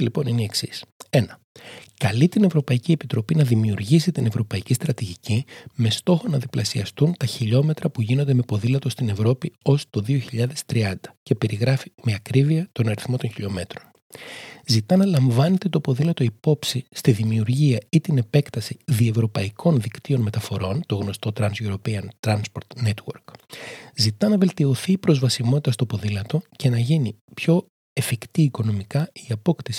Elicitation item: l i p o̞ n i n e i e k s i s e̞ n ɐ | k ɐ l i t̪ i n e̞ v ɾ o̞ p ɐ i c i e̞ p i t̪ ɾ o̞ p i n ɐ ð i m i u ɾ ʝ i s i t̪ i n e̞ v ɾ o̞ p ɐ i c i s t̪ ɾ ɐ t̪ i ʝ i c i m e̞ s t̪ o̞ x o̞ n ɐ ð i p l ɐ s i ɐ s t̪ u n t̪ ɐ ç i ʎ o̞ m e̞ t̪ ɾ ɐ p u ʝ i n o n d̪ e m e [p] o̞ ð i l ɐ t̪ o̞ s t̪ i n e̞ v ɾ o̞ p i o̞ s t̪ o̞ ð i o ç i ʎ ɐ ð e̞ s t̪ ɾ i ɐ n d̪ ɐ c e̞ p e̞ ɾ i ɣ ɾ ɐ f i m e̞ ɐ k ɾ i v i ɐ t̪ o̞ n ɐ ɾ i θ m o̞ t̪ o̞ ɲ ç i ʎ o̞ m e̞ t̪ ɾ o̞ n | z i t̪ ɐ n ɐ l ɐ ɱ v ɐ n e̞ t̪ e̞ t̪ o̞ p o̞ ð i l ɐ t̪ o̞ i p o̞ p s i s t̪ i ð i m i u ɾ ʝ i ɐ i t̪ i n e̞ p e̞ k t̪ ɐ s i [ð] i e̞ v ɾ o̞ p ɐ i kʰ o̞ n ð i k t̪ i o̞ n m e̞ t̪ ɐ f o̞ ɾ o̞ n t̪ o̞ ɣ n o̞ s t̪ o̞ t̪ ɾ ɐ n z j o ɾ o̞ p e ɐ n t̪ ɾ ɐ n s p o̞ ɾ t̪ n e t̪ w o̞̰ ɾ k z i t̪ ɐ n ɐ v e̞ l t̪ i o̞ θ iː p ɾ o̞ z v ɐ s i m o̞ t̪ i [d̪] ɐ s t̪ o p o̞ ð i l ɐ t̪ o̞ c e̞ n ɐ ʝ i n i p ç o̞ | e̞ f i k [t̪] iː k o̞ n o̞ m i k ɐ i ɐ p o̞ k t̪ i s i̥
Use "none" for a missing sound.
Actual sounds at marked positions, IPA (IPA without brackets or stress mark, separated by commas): p, ð, t̪, t̪